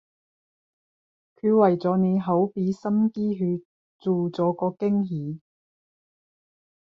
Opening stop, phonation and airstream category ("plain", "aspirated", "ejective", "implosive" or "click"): aspirated